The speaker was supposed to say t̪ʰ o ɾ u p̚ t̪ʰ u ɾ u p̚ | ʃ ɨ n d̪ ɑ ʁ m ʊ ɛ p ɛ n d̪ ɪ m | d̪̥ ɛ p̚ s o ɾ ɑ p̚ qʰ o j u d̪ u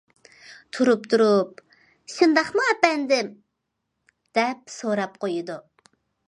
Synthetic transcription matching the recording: t̪ʰ u ɾ u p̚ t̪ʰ u ɾ u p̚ | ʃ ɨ n d̪ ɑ χ m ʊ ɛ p ɛ n d̪ ɪ m | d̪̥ ɛ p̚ s o ɾ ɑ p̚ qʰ o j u d̪ u